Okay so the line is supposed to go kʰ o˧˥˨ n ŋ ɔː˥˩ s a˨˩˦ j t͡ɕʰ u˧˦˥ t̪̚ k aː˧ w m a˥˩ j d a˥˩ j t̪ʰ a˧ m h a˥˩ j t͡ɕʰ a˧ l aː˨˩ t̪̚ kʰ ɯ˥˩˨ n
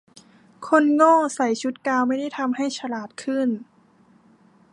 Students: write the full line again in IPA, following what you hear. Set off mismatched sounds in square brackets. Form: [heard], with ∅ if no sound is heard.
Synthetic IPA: kʰ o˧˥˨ n ŋ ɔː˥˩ s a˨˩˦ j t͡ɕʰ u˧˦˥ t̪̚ k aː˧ w m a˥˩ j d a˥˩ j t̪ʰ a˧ m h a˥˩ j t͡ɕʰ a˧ l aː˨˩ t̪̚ kʰ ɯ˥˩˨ n

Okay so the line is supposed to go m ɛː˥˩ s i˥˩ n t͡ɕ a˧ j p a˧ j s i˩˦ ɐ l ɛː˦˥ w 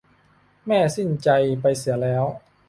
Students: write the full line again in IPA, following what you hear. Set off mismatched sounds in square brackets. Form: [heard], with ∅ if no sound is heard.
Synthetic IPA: m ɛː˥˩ s i˥˩ n t͡ɕ a˧ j p a˧ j s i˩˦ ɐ l ɛː˦˥ w

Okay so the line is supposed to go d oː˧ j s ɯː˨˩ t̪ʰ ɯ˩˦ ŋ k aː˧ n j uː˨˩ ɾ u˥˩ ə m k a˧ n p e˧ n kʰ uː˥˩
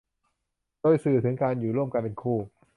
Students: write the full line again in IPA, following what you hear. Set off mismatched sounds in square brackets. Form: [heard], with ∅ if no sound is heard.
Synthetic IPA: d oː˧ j s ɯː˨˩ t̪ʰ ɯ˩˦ ŋ k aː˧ n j uː˨˩ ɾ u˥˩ ə m k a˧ n p e˧ n kʰ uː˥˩

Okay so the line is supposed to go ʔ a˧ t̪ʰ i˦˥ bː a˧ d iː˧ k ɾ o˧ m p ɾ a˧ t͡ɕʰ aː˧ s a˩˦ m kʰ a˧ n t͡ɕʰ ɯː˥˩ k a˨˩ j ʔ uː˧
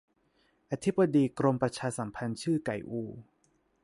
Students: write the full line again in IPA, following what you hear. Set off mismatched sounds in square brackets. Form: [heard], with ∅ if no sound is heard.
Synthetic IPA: ʔ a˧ t̪ʰ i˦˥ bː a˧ d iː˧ k ɾ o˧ m p ɾ a˧ t͡ɕʰ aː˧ s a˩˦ m [pʰ] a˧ n t͡ɕʰ ɯː˥˩ k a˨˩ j ʔ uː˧

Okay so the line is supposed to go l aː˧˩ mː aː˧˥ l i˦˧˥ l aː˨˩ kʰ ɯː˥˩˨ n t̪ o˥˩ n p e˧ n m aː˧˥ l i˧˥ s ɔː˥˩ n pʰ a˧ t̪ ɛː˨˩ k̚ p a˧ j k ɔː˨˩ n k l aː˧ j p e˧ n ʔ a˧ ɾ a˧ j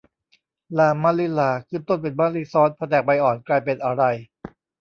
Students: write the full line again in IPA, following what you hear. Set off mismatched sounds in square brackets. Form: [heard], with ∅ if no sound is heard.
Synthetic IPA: l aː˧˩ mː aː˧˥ l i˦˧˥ l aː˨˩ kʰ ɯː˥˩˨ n t̪ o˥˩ n p e˧ n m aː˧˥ l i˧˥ s [ɔː˦˥] n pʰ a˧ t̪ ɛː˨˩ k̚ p a˧ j [ʔ] ɔː˨˩ n k l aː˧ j p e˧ n ʔ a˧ ɾ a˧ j

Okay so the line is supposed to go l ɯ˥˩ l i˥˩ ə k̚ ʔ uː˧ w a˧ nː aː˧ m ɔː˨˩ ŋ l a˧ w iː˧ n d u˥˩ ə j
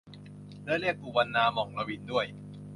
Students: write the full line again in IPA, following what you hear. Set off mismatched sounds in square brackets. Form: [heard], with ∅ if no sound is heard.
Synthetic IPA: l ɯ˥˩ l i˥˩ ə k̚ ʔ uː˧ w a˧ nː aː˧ m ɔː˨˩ ŋ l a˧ w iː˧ n d u˥˩ ə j

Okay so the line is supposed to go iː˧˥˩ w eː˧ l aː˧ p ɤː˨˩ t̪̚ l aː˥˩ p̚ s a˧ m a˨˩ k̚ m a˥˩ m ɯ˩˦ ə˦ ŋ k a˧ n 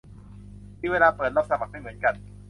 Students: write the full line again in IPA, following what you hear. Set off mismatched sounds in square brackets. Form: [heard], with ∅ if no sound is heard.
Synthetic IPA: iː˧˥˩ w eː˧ l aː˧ p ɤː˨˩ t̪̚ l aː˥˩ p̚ s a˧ m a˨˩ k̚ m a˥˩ m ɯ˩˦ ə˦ [n] k a˧ n

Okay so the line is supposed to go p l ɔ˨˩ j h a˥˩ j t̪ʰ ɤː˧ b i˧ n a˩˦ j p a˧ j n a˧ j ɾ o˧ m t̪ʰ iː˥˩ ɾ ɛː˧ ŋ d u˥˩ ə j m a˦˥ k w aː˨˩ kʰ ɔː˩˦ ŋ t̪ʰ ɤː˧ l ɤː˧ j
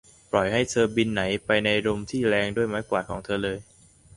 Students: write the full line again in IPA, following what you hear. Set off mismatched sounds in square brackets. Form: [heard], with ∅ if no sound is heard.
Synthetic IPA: p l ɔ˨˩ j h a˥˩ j t̪ʰ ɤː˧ b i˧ [nː] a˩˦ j p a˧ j n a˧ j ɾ o˧ m t̪ʰ iː˥˩ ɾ ɛː˧ ŋ d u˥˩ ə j m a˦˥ k w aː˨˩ kʰ ɔː˩˦ ŋ t̪ʰ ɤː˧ l ɤː˧ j

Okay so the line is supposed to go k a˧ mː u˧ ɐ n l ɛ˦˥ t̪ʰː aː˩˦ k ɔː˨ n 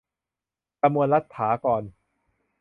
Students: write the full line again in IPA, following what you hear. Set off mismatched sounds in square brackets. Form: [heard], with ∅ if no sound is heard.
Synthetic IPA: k a˧ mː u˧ [ə] n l [a˦˥] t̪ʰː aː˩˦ k ɔː˨ n

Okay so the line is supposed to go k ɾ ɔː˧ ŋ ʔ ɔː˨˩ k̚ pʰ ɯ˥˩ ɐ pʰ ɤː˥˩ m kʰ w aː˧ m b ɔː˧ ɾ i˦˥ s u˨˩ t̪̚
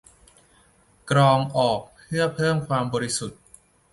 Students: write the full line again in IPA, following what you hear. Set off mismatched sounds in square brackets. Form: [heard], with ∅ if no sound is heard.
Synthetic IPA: k ɾ ɔː˧ ŋ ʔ ɔː˨˩ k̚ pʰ ɯ˥˩ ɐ pʰ ɤː˥˩ m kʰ w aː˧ m b ɔː˧ ɾ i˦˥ s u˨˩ t̪̚

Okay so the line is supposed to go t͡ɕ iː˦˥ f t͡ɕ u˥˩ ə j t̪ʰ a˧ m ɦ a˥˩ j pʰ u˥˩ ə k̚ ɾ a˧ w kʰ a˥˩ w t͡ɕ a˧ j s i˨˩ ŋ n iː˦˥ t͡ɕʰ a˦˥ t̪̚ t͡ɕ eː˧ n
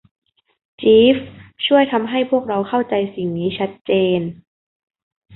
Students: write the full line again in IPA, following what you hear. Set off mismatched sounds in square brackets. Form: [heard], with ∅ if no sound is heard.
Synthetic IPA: t͡ɕ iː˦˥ f [t͡ɕʰ] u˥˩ ə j t̪ʰ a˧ m ɦ a˥˩ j pʰ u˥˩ ə k̚ ɾ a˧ w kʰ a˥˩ w t͡ɕ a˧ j s i˨˩ ŋ n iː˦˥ t͡ɕʰ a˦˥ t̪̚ t͡ɕ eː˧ n

